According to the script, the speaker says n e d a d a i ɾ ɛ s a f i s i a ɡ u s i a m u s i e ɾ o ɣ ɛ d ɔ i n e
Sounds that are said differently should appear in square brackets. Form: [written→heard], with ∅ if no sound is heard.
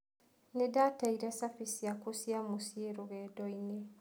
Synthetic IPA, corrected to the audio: n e d a [d→t] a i ɾ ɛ s a f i s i a [ɡ→k] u s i a m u s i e ɾ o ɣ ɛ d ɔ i n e